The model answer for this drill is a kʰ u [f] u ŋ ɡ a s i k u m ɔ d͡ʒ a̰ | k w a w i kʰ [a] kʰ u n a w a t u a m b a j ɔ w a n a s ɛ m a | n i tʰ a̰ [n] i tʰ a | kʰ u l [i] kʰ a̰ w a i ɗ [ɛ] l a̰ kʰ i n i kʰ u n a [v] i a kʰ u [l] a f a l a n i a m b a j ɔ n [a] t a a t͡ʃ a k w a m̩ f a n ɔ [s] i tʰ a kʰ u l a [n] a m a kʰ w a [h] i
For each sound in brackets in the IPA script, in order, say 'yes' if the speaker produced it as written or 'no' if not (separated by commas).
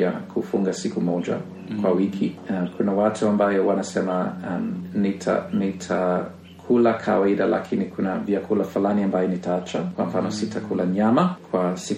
yes, no, yes, no, no, yes, yes, no, yes, no, no